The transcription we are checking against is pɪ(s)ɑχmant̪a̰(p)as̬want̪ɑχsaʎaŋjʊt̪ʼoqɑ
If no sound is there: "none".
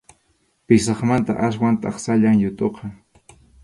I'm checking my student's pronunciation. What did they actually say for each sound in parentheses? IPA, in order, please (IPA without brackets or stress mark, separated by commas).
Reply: s, ʔ